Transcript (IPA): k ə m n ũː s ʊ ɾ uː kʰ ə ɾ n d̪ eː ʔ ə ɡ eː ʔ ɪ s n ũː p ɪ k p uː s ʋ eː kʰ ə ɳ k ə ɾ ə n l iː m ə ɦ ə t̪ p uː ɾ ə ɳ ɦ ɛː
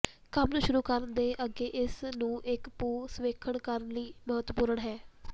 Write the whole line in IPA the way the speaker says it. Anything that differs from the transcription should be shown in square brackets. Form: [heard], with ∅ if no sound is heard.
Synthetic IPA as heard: k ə m n ũː [ʃ] ʊ ɾ uː [k] ə ɾ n d̪ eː ʔ ə ɡ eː ʔ ɪ s n ũː [ʔ] ɪ k p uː s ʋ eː kʰ ə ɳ k ə ɾ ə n l iː m ə ɦ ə t̪ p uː ɾ ə ɳ ɦ ɛː